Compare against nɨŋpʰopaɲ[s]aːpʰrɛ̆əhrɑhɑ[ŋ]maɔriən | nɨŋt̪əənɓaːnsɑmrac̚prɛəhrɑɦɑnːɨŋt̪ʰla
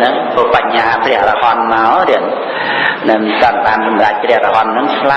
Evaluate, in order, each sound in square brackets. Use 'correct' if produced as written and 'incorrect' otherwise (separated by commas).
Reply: incorrect, incorrect